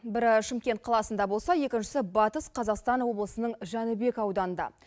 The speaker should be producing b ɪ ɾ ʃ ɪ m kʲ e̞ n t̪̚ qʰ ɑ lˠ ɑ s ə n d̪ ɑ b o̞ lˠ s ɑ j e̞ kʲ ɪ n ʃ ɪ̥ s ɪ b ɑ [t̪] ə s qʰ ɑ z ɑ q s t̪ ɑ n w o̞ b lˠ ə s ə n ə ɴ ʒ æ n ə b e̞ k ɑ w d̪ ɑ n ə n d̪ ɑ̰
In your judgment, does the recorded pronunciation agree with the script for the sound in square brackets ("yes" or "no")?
yes